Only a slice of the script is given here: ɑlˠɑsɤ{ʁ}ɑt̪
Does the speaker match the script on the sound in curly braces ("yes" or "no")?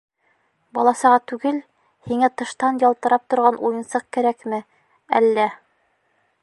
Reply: yes